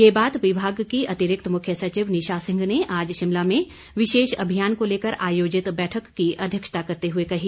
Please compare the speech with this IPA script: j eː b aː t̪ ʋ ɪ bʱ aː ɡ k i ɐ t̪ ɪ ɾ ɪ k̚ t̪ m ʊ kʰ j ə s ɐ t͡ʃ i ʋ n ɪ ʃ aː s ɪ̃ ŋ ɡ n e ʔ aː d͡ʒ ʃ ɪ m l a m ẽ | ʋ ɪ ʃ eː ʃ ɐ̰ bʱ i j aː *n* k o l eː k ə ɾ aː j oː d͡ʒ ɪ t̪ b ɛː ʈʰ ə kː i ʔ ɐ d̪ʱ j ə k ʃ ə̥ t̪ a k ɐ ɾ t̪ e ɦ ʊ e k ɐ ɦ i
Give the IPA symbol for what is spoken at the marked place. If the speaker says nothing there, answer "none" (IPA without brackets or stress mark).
n